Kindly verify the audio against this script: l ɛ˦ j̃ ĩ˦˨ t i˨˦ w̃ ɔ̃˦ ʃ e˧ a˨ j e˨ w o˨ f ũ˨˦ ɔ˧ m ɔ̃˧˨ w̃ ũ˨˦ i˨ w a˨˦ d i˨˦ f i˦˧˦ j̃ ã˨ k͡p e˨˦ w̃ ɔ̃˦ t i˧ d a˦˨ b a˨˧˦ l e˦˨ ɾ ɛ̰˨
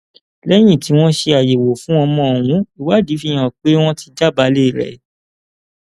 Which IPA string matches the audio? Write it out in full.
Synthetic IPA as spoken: l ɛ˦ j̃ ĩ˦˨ t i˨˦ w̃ ɔ̃˦ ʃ e˧ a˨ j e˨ w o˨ f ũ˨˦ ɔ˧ m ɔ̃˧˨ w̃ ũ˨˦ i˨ w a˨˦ d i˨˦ f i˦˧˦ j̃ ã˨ k͡p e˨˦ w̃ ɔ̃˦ t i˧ d͡ʒ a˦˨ b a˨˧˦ l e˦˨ ɾ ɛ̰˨